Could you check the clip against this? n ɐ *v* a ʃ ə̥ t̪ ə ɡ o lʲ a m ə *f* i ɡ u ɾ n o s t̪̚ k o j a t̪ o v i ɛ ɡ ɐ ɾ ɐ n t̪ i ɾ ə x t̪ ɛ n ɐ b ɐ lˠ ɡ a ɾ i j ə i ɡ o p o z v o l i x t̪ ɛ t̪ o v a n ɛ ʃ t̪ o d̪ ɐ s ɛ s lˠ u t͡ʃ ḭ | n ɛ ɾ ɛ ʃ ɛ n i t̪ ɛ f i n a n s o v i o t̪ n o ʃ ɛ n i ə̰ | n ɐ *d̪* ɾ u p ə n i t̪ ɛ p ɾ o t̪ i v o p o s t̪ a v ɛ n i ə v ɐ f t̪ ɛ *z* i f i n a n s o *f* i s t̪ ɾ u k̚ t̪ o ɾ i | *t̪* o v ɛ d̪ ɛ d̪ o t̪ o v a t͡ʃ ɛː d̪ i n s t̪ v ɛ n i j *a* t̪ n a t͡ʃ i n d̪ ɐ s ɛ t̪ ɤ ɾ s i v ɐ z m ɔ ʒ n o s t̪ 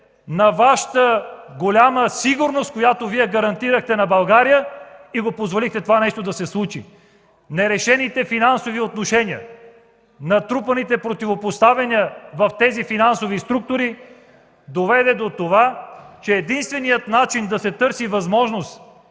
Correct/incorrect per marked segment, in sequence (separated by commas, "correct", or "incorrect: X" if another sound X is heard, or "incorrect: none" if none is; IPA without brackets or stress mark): correct, incorrect: s, incorrect: t̪, correct, incorrect: v, incorrect: d̪, incorrect: ə